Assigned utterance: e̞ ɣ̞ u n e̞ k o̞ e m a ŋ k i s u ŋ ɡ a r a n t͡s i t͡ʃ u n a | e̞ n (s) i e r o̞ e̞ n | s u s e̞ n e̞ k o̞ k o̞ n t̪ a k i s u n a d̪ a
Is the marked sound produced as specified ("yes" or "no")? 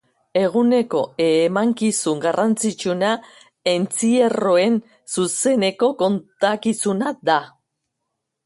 no